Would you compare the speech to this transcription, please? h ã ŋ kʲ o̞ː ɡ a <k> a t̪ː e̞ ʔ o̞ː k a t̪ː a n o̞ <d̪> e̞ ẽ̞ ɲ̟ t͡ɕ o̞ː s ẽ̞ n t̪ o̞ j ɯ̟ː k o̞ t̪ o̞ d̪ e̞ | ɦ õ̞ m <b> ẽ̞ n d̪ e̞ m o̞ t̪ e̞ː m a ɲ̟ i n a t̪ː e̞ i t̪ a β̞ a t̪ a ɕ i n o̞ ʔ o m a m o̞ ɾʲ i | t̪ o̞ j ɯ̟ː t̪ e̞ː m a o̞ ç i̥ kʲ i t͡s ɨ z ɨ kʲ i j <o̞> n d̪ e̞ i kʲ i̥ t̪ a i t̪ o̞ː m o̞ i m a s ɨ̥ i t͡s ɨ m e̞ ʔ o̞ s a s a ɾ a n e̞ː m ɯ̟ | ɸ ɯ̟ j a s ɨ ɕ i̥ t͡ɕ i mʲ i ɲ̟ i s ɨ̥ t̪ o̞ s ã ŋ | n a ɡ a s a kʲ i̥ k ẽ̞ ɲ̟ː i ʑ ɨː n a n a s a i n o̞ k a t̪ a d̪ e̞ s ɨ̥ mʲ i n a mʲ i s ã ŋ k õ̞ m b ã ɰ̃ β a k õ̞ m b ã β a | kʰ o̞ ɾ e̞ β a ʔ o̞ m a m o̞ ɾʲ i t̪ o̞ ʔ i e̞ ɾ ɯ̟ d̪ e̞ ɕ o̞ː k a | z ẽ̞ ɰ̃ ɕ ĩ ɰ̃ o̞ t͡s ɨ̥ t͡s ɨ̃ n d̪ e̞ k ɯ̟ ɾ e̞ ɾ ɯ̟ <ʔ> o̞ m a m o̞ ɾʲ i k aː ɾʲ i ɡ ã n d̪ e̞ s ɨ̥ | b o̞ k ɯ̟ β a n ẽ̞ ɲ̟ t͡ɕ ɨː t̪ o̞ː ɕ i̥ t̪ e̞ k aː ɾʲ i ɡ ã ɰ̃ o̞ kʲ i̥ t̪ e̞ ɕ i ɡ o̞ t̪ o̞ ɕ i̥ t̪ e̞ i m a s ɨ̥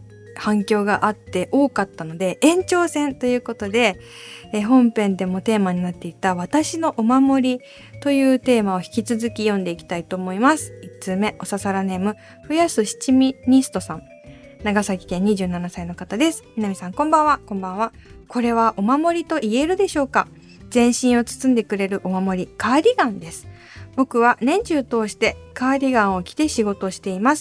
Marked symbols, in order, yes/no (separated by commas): no, yes, no, no, yes